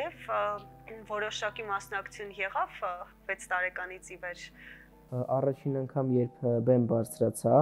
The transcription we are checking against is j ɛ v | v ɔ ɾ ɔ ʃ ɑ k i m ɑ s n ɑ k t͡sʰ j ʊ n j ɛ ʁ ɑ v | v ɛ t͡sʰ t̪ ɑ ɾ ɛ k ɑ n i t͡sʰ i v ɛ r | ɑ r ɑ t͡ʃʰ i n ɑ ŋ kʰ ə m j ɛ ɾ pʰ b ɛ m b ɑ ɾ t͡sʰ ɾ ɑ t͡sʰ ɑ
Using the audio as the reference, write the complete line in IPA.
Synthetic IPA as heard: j ɛ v | v ɔ ɾ ɔ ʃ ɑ k i m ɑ s n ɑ k t͡sʰ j u n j ɛ ʁ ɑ v | v ɛ t͡sʰ t̪ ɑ ɾ ɛ k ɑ n i t͡sʰ i v ɛ ɾ | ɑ r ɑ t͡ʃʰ i n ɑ ŋ kʰ ɑ m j ɛ ɾ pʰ b ɛ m b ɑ ɾ t͡sʰ ɾ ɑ t͡sʰ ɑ

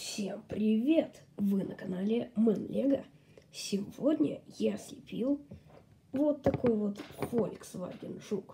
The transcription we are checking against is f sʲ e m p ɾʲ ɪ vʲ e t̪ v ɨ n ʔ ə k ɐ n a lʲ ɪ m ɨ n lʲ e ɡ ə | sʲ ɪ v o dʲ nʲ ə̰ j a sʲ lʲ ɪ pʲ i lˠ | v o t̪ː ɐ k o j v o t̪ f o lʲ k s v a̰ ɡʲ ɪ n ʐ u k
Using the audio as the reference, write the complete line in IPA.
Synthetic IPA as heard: f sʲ e m p ɾʲ ɪ vʲ e t̪ v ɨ n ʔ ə k ɐ n a lʲ ɪ m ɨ n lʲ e ɡ ə | sʲ ɪ v o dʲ nʲ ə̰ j a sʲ lʲ ɪ pʲ i lˠ | v o t̪ː ɐ k o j v o t̪ f o lʲ k s v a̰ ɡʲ ɪ n ʐ u k

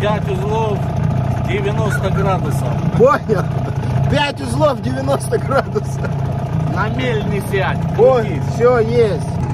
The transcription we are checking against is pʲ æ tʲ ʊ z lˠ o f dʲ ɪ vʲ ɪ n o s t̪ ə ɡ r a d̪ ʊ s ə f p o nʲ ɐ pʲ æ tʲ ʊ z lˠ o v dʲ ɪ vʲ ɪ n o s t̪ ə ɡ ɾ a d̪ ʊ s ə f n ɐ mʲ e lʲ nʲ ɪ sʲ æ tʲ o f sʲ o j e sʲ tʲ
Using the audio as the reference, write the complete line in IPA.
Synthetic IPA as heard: pʲ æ tʲ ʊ z lˠ o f dʲ ɪ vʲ ɪ n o s t̪ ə ɡ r a d̪ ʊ s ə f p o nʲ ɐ pʲ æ tʲ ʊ z lˠ o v dʲ ɪ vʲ ɪ n o s t̪ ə ɡ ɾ a d̪ ʊ s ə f n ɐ mʲ e lʲ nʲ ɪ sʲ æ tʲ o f sʲ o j e sʲ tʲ

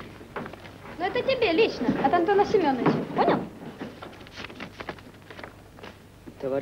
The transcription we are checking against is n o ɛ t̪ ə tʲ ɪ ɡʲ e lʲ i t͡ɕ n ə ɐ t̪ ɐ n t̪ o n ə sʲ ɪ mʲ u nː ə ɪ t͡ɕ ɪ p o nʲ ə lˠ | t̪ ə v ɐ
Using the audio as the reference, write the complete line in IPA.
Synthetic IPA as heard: n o ɛ t̪ ə tʲ ɪ bʲ e lʲ i t͡ɕ n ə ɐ t̪ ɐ n t̪ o n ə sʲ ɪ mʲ o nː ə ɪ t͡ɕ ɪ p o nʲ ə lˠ | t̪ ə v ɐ

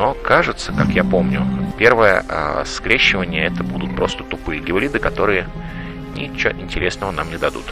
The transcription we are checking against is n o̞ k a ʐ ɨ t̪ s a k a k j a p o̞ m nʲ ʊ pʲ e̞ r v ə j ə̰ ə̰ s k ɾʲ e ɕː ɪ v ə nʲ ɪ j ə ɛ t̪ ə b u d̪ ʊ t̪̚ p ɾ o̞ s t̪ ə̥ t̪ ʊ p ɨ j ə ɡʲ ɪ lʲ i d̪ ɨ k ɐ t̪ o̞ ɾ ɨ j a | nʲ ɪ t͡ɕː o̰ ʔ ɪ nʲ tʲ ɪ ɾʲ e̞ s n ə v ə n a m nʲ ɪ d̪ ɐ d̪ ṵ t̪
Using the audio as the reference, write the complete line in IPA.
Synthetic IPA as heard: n o̞ k a ʐ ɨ t̪ s ə k a k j a p o̞ m nʲ ʊ pʲ e̞ r v ə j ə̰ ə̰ s k ɾʲ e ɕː ɪ v ə nʲ ɪ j ə ɛ t̪ ə b u d̪ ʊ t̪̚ p ɾ o̞ s t̪ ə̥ t̪ ʊ p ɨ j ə ɡʲ ɪ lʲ i d̪ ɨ k ɐ t̪ o̞ ɾ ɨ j ə | nʲ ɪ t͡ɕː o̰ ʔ ɪ nʲ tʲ ɪ ɾʲ e̞ s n ə v ə n a m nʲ ɪ d̪ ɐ d̪ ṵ t̪

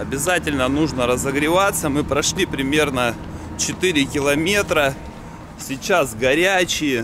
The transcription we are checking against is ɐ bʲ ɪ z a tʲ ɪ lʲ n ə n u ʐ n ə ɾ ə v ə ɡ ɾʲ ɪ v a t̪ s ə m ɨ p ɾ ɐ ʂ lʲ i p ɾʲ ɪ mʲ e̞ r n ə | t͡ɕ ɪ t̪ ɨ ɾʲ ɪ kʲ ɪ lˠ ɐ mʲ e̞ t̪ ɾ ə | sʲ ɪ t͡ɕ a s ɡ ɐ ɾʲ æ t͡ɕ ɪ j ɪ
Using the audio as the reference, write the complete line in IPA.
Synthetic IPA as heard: ɐ bʲ ɪ z a tʲ ɪ lʲ n ə n u ʐ n ə ɾ ə z ə ɡ ɾʲ ɪ v a t̪ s ə m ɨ p ɾ ɐ ʂ lʲ i p ɾʲ ɪ mʲ e̞ r n ə | t͡ɕ ɪ t̪ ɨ ɾʲ ɪ kʲ ɪ lˠ ɐ mʲ e̞ t̪ ɾ ə | sʲ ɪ t͡ɕ a s ɡ ɐ ɾʲ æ t͡ɕ ɪ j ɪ

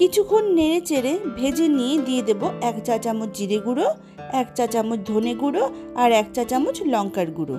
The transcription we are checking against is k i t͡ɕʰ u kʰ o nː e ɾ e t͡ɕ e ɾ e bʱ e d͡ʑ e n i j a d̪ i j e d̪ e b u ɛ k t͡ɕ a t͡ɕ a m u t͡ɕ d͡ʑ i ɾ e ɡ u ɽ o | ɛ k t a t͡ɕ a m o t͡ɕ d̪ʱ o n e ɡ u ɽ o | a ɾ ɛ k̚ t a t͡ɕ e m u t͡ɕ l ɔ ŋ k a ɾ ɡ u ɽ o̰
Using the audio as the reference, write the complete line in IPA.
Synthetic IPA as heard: k i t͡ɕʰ u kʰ o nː e ɾ e t͡ɕ e ɾ e bʱ e d͡ʑ e n i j e d̪ i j e d̪ e b o ɛ k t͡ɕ a t͡ɕ a m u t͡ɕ d͡ʑ i ɾ e ɡ u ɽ o | ɛ k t a t͡ɕ a m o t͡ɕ d̪ʱ o n e ɡ u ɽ o | a ɾ ɛ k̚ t a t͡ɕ a m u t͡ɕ l ɔ ŋ k a ɾ ɡ u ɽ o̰

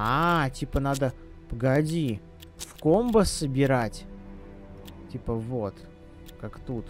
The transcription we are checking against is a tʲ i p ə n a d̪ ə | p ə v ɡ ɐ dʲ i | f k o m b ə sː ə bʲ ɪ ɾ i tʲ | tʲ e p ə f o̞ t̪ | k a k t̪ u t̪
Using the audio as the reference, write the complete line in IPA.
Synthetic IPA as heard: a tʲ i p ə n a d̪ ə | p ə ɡ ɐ dʲ i | f k o m b ə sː ə bʲ ɪ ɾ a tʲ | tʲ i p ə v o̞ t̪ | k a k t̪ u t̪

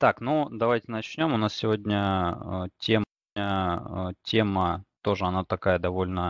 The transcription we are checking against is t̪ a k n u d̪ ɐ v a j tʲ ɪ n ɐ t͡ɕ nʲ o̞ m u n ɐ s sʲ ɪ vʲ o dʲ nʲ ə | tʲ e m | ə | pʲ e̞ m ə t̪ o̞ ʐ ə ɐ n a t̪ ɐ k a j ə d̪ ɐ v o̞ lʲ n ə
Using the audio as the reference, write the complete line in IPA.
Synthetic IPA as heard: t̪ a k n u d̪ ɐ v a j tʲ ɪ n ɐ t͡ɕ nʲ o̞ m ʊ n a s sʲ ɪ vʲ o dʲ nʲ ə | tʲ e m | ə | tʲ e̞ m ə t̪ o̞ ʐ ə ɐ n a t̪ ɐ k a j ə d̪ ɐ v o̞ lʲ n ə

